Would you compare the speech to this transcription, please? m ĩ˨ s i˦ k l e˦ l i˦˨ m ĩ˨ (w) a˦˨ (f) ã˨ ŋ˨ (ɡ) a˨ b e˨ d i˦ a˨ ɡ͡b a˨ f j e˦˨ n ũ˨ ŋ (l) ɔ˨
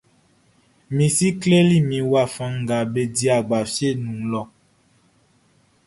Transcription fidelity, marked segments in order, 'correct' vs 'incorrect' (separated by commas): correct, correct, correct, correct